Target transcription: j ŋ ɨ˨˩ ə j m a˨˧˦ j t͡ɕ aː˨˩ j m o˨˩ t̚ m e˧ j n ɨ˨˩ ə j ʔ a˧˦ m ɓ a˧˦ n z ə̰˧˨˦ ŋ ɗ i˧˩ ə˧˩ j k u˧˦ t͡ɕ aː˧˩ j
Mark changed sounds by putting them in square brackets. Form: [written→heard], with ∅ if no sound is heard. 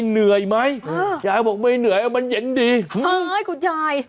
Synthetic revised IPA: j [ŋ→n] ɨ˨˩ ə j m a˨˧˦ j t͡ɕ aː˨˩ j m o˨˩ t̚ m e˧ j n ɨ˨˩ ə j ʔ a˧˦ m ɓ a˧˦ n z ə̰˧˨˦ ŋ ɗ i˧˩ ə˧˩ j k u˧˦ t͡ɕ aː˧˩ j